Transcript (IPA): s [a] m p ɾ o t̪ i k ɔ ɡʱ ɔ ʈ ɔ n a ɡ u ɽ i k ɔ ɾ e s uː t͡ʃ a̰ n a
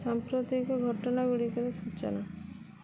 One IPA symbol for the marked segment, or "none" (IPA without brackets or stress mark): a